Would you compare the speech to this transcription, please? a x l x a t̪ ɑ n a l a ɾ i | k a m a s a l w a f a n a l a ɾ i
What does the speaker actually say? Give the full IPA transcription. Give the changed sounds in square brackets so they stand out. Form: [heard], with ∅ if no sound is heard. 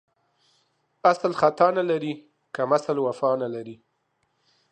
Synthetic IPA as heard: a [s] l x a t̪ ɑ n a l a ɾ i | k a m a s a l w a f [ɑ] n a l a ɾ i